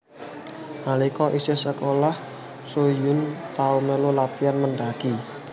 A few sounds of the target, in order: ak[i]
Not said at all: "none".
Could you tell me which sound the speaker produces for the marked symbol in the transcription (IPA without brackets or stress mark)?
i